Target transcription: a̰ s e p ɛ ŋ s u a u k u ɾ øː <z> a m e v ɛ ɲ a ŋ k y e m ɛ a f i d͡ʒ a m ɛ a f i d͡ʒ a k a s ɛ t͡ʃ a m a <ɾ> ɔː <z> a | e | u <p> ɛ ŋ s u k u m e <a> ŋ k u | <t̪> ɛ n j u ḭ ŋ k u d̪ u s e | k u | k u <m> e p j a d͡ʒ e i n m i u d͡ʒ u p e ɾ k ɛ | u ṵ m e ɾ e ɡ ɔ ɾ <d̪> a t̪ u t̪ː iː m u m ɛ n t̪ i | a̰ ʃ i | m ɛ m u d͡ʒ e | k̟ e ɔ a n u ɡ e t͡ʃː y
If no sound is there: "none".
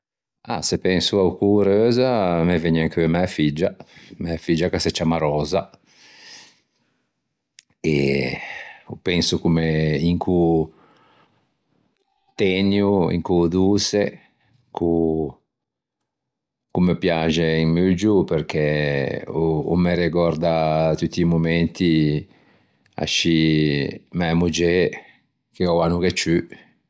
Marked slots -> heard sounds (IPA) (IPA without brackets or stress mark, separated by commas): z, ɾ, z, p, i, t̪, m, d̪